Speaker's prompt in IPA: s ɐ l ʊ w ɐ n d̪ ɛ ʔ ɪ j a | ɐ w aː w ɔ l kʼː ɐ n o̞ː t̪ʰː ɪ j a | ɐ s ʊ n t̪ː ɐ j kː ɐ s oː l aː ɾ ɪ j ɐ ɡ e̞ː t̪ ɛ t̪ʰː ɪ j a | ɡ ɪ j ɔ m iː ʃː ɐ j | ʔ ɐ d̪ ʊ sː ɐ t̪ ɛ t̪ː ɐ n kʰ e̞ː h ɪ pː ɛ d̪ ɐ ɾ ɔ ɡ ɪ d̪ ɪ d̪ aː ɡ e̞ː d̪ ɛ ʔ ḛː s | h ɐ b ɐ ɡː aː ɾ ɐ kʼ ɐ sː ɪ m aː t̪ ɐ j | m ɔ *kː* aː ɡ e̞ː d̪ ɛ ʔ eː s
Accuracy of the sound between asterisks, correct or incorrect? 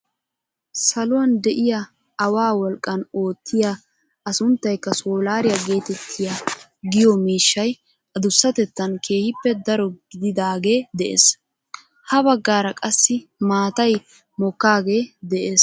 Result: correct